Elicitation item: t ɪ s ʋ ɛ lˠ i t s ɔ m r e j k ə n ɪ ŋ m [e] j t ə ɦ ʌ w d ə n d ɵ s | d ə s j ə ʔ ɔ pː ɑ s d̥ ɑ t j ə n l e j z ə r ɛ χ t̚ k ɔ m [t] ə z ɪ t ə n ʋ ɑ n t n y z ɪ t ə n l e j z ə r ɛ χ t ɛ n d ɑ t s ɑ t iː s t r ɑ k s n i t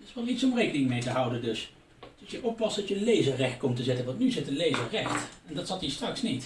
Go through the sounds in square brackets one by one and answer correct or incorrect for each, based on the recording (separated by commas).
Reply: correct, correct